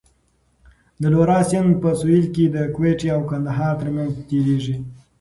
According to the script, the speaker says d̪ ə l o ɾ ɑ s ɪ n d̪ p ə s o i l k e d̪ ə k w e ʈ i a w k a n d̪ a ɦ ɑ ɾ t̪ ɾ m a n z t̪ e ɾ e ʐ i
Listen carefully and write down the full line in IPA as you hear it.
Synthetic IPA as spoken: d̪ ə l o ɾ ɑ s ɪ n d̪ p ə s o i l k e d̪ ə k w e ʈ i a w k a n d̪ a ɦ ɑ ɾ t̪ ɾ m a n z t̪ e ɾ e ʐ i